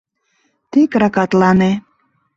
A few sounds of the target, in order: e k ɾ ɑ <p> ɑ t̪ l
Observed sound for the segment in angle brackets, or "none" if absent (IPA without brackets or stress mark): k